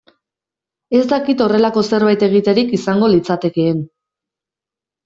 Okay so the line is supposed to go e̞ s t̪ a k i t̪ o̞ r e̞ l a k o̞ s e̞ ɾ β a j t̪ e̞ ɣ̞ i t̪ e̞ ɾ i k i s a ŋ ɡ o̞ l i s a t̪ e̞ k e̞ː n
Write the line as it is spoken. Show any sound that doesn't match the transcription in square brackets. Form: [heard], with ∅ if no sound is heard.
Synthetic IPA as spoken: e̞ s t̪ a k i t̪ o̞ r e̞ l a k o̞ s e̞ ɾ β a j t̪ e̞ ɣ̞ i t̪ e̞ ɾ i k i s a ŋ ɡ o̞ l i [t͡s] a t̪ e̞ k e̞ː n